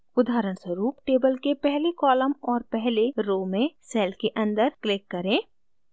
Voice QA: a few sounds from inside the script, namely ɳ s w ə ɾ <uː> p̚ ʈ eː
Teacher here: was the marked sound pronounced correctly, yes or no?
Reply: yes